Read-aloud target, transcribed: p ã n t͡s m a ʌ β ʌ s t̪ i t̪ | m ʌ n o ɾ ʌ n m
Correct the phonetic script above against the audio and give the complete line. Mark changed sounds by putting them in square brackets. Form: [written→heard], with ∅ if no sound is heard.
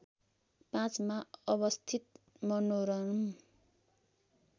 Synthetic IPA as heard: p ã [n→∅] t͡s m a ʌ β ʌ s [t̪→t̪ʰ] i t̪ | m ʌ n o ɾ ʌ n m